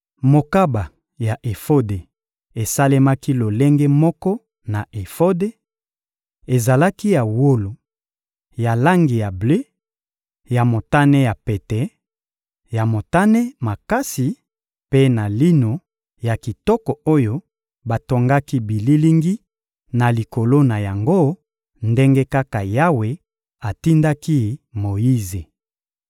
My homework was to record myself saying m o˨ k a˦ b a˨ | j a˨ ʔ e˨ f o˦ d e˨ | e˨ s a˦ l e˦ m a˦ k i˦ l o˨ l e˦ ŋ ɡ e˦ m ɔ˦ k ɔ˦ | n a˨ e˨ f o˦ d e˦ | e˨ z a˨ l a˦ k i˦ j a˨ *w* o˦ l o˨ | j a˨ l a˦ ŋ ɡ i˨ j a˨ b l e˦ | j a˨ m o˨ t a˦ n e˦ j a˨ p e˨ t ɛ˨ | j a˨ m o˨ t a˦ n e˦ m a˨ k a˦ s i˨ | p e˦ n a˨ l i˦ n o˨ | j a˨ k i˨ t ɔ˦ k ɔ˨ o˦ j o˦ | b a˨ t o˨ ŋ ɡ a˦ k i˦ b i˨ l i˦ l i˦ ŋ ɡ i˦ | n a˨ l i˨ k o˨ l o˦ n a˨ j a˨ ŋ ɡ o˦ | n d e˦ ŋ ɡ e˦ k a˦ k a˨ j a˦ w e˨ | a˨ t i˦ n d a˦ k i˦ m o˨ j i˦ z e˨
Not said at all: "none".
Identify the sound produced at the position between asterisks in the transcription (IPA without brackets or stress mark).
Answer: w